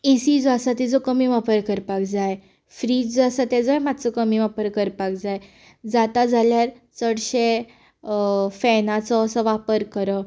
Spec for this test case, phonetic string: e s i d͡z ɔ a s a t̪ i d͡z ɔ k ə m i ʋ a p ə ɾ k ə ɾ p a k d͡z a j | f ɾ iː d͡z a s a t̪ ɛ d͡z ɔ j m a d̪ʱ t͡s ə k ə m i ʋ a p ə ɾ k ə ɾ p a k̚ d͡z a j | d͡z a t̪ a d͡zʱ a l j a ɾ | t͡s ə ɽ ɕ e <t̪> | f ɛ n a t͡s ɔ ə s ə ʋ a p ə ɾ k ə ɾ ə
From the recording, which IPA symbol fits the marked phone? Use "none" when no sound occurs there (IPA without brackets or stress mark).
none